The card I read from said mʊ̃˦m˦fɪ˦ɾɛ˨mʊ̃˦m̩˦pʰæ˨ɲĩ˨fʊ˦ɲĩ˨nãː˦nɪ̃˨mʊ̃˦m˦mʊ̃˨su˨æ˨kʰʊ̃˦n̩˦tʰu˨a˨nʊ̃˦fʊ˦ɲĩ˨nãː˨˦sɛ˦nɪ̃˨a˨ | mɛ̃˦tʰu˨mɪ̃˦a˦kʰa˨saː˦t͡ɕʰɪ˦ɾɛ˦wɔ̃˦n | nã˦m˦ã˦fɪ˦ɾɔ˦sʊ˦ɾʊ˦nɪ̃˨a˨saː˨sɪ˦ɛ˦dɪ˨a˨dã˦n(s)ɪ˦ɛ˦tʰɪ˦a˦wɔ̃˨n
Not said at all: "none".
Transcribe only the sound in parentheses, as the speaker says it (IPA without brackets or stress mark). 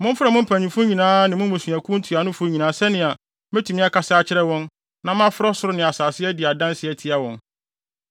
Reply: s